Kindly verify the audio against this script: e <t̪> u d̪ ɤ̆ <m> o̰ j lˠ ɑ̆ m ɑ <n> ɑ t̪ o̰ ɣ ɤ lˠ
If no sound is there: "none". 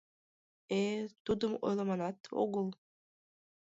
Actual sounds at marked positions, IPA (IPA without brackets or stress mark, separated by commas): t̪, m, n